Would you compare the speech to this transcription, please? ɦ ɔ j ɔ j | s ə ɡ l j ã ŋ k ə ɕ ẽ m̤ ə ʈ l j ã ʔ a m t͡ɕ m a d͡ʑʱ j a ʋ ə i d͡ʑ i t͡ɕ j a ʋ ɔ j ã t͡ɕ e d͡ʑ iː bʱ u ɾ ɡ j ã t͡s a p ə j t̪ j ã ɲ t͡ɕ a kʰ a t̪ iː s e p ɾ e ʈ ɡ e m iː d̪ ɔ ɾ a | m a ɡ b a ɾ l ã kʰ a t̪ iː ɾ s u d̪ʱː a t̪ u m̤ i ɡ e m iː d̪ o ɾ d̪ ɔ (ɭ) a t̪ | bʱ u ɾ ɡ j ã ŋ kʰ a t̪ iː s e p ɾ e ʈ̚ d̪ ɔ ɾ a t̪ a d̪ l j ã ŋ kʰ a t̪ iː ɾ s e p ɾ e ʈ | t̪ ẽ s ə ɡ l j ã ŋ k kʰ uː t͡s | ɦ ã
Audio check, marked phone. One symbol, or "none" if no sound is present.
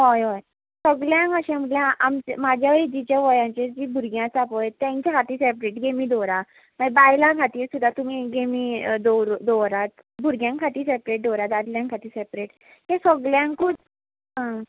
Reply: ɾ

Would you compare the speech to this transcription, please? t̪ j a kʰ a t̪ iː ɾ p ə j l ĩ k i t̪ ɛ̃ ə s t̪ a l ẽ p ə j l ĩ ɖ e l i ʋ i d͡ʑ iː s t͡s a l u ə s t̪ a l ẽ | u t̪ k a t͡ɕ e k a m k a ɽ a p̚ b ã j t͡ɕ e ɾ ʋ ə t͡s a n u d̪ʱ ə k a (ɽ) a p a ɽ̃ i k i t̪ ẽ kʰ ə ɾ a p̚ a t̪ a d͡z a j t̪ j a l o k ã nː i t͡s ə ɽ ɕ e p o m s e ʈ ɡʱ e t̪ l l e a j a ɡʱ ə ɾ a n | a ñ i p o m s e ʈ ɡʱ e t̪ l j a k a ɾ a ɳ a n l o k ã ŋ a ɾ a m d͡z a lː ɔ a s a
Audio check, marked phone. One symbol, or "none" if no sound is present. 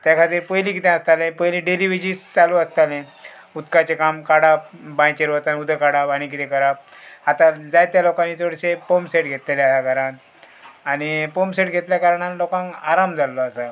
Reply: ɽ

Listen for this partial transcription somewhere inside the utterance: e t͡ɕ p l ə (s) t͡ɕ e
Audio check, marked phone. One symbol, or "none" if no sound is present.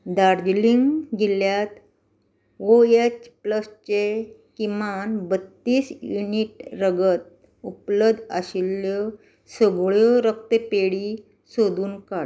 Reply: s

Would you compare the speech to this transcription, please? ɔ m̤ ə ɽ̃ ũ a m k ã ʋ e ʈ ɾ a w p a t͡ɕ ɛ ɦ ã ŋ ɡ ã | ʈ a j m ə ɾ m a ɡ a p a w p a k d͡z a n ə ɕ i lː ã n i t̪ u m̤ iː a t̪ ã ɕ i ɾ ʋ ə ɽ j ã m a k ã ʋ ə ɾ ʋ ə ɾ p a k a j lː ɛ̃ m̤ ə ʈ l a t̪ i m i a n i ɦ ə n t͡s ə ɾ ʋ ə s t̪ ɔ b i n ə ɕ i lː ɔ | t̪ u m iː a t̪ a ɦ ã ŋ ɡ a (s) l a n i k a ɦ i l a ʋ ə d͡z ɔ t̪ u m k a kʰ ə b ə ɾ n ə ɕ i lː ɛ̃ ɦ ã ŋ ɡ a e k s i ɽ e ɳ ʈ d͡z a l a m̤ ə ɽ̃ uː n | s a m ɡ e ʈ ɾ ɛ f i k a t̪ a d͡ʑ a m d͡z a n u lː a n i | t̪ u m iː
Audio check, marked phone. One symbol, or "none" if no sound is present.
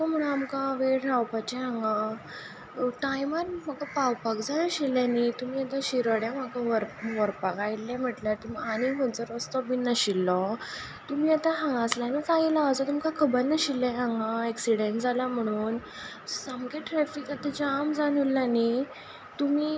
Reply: s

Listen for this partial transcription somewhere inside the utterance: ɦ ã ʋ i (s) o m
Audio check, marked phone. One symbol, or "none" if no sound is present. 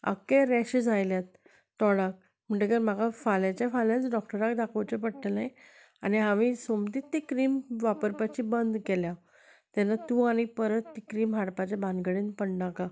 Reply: s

